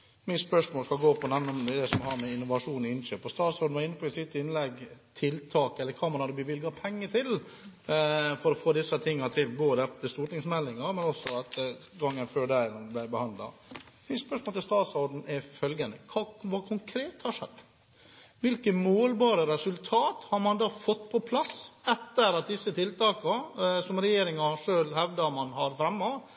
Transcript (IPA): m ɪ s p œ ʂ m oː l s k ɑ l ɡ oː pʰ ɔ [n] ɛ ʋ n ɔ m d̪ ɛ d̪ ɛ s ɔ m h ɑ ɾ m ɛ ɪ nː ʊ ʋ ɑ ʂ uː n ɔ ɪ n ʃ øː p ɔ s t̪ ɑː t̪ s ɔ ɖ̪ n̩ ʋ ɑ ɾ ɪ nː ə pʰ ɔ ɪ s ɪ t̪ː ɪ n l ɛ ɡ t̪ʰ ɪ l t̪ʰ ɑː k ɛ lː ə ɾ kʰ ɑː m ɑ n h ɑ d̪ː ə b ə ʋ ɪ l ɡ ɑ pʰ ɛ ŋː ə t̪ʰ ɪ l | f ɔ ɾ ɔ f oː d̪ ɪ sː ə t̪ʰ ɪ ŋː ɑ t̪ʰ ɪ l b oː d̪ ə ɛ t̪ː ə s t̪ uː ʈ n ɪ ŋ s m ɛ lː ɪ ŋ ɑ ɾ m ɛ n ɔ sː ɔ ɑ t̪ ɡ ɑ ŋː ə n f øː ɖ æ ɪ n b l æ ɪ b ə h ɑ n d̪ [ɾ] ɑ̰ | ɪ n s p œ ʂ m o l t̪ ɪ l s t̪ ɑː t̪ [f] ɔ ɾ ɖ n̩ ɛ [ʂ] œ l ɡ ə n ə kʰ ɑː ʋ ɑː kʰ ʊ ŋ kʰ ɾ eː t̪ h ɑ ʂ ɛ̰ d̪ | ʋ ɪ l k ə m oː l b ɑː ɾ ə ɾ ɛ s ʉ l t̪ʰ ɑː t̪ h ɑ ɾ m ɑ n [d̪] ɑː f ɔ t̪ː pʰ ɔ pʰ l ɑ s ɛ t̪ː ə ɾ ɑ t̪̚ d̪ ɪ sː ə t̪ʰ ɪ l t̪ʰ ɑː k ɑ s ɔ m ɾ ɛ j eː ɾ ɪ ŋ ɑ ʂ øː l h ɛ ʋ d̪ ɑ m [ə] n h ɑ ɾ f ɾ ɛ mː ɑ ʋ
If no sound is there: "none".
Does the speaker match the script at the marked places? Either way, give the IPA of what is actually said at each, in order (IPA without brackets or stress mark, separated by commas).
n, l, s, f, d̪, ɑ